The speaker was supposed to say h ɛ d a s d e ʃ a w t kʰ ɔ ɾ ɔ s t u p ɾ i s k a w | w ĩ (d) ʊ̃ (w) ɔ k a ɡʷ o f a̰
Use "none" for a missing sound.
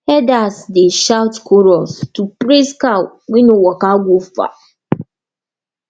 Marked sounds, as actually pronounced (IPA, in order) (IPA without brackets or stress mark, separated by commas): n, w